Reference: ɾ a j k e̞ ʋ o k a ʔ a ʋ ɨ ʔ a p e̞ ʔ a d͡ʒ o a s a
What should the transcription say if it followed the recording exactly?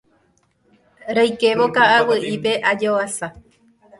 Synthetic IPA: ɾ a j k e̞ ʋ o k a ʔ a w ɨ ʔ i p e̞ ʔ a d͡ʒ o a s a